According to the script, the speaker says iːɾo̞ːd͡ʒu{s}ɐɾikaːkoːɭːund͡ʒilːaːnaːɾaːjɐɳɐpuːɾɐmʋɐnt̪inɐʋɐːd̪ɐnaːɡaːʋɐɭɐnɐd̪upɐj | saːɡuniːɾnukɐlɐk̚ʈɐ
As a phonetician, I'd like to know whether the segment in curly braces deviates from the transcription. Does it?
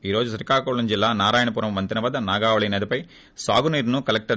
no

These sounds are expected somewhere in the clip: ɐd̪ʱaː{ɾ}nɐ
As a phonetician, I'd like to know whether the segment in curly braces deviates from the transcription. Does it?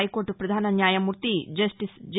yes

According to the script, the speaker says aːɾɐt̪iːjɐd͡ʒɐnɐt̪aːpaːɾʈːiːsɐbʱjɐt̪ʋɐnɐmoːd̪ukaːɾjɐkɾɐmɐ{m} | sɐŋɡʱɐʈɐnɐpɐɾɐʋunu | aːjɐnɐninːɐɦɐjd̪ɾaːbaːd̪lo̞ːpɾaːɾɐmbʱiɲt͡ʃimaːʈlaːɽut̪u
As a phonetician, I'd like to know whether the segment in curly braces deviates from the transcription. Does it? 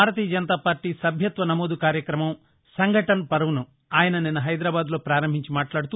no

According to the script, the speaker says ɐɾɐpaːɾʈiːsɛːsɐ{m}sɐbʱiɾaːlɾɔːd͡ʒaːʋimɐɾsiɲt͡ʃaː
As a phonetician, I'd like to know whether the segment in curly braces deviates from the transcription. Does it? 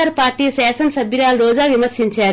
yes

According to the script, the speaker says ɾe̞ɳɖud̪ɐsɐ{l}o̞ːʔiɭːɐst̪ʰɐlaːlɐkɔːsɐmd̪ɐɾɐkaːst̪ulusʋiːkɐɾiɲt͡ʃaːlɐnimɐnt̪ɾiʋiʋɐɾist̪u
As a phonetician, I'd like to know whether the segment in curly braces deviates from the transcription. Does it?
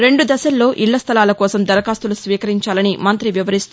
yes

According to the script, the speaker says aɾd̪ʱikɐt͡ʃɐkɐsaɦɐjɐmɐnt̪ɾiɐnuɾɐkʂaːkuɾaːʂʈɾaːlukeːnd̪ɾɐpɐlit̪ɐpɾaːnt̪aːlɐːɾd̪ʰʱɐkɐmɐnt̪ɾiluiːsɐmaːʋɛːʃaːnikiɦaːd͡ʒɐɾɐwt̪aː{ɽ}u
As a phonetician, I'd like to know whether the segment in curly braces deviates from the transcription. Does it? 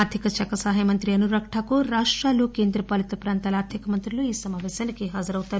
yes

